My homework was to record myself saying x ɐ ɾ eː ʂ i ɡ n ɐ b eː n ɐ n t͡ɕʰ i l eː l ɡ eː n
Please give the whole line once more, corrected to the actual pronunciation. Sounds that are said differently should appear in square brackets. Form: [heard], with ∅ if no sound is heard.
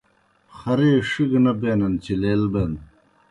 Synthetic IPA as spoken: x ɐ ɾ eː ʂ i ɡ n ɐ b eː n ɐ n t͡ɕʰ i l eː l [b] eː n